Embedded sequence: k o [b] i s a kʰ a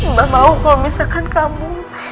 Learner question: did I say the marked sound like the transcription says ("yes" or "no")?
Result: no